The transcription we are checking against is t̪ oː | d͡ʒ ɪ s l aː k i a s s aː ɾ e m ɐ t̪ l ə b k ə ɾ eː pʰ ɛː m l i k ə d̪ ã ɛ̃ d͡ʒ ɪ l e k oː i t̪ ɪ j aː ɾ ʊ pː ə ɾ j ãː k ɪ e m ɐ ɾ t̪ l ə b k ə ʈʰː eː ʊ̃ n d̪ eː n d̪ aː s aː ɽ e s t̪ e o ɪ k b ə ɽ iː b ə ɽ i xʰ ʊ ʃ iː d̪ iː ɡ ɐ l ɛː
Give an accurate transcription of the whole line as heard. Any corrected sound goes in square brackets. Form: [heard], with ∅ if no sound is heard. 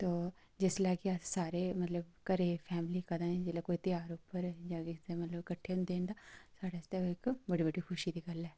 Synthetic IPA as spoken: t̪ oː | d͡ʒ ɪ s l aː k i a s s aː ɾ e m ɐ t̪ l ə b k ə ɾ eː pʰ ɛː m l i k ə d̪ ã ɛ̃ d͡ʒ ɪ l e k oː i t̪ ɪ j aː ɾ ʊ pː ə ɾ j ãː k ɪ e m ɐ [∅] t̪ l ə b k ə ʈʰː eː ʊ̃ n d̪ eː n d̪ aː s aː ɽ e s t̪ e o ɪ k b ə ɽ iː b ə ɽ i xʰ ʊ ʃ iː d̪ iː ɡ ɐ l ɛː